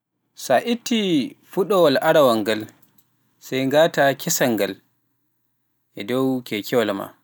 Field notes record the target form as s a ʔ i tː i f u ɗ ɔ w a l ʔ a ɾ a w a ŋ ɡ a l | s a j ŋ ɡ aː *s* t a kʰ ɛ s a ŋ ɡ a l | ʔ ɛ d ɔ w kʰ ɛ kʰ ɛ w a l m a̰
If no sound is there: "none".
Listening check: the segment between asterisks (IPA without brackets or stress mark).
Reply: none